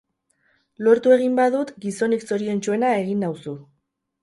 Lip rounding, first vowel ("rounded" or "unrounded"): rounded